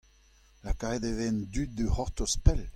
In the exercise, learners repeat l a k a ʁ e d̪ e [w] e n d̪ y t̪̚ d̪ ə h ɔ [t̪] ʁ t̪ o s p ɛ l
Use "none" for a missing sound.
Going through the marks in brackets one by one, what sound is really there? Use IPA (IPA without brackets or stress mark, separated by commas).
v, none